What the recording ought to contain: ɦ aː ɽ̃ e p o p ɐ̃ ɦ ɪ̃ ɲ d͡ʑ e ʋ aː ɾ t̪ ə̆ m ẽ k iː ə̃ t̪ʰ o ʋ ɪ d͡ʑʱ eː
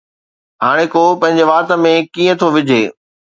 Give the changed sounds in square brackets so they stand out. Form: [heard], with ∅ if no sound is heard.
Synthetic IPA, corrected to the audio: ɦ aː ɽ̃ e [k] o p ɐ̃ ɦ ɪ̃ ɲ d͡ʑ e ʋ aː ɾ t̪ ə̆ m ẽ k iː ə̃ t̪ʰ o ʋ ɪ d͡ʑʱ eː